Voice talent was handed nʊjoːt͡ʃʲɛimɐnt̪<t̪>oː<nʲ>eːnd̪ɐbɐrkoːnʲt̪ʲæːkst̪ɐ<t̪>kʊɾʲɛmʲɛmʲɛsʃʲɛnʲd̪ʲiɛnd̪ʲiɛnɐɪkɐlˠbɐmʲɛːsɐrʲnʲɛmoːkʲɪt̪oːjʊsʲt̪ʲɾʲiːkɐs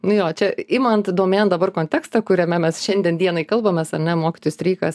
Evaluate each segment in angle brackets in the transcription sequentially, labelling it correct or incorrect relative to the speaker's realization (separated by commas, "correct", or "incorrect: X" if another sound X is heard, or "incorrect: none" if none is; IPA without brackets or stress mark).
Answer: incorrect: d̪, incorrect: mʲ, incorrect: none